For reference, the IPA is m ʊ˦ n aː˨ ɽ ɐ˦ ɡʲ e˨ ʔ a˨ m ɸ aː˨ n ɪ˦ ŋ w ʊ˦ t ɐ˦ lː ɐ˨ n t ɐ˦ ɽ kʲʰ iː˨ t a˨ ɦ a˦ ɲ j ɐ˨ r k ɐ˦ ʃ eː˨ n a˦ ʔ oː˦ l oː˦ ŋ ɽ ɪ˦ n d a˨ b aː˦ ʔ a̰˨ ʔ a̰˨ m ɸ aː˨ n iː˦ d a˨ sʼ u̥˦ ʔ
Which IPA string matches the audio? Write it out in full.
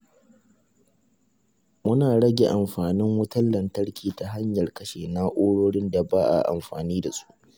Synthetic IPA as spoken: m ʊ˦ n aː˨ ɽ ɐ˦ ɡʲ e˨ ʔ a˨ m ɸ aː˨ n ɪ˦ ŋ w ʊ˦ t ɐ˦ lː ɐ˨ n t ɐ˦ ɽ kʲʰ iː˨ t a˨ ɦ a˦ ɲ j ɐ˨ r k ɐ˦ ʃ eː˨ n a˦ ʔ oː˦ ɽ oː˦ ɽ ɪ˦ n d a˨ b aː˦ ʔ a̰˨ ʔ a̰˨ m ɸ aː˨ n iː˦ d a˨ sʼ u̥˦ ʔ

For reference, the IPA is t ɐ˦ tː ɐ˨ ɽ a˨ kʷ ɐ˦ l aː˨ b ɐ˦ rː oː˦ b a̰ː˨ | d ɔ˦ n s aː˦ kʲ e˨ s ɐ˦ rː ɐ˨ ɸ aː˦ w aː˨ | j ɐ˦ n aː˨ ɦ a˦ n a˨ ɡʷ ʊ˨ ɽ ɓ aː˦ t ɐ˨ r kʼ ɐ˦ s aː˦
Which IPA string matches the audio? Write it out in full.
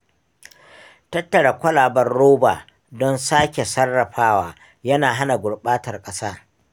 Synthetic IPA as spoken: t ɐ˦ tː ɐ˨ ɽ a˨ kʷ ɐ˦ l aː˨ b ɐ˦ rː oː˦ b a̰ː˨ | d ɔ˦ n s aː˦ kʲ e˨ s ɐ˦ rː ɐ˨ ɸ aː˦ w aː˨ | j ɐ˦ n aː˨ ɦ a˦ n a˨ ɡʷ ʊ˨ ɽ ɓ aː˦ t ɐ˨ r kʼ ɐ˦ s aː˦

